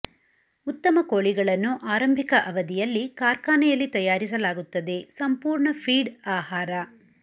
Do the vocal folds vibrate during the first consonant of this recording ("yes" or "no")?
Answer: no